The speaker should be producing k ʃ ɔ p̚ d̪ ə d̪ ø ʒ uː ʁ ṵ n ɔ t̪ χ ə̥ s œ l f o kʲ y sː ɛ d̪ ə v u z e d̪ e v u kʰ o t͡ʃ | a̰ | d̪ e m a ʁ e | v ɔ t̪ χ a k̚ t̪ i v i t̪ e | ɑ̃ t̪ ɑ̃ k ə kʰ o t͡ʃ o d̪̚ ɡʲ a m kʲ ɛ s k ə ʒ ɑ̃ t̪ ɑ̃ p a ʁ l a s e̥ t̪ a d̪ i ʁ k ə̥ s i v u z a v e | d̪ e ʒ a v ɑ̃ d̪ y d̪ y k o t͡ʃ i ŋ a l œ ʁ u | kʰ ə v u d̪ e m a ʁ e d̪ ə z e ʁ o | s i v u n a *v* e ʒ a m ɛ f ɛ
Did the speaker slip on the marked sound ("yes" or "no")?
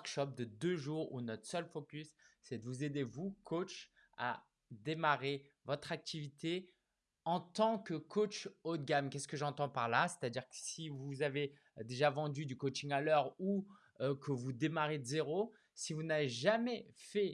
no